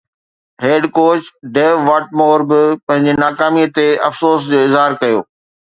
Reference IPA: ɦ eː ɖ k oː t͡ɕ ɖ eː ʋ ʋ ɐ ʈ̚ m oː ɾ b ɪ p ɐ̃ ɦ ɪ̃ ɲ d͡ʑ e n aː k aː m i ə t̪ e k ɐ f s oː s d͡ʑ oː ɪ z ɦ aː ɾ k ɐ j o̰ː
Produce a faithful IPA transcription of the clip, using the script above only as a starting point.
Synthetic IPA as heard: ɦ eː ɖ k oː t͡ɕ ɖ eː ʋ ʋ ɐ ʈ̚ m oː ɾ b ɪ p ɐ̃ ɦ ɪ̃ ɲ d͡ʑ e n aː k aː m i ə t̪ e ɐ f s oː s d͡ʑ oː ɪ z ɦ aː ɾ k ɐ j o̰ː